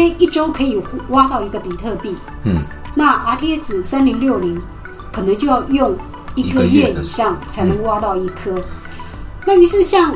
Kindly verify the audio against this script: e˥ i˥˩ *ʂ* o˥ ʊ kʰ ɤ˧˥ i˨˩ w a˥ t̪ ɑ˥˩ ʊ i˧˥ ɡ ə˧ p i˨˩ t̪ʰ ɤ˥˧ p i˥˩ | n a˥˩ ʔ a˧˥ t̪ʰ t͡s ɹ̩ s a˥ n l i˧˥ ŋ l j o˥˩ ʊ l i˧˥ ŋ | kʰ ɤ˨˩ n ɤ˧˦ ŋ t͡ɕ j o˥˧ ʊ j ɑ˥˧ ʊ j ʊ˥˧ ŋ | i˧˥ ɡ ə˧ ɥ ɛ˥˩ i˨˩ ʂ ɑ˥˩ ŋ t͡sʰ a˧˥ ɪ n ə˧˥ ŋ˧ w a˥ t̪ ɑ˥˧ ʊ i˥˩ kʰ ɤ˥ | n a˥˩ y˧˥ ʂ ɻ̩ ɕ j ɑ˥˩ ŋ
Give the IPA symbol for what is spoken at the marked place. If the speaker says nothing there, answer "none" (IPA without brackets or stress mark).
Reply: ʈ͡ʂ